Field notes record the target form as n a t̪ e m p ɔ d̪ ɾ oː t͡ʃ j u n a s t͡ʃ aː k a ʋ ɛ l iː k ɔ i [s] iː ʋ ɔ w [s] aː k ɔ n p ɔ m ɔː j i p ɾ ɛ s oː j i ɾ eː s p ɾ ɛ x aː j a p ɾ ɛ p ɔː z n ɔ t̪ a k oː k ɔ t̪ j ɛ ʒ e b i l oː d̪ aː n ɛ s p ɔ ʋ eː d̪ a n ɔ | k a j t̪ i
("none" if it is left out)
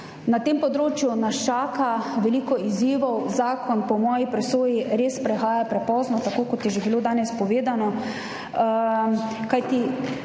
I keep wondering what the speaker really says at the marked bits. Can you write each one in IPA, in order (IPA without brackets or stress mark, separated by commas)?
z, z